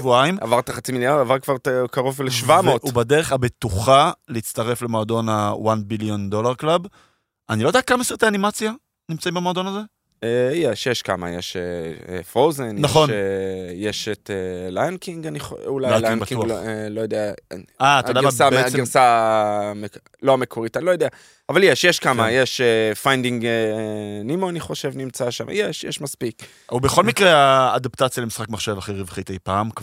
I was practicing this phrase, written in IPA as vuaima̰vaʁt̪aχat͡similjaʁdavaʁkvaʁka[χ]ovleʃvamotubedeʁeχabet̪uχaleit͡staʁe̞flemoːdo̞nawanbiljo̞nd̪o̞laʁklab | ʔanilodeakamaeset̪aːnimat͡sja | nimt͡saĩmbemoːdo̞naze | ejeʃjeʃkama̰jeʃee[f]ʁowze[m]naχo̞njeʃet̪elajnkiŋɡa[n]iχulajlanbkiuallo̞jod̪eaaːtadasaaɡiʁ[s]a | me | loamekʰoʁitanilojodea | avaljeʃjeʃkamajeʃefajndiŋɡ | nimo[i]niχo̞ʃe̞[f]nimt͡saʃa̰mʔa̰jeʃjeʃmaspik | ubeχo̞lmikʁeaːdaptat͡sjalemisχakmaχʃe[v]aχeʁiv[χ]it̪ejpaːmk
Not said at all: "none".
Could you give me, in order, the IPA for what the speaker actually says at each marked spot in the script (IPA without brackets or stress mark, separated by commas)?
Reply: ʁ, f, n, n, s, a, v, v, χ